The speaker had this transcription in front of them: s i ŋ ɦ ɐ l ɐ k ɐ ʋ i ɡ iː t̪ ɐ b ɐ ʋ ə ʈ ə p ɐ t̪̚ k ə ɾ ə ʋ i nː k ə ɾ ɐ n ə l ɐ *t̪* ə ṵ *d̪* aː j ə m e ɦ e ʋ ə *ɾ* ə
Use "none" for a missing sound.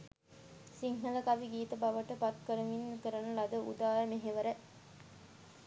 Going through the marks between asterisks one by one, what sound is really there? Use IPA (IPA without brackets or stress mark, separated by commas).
d̪, d̪, ɾ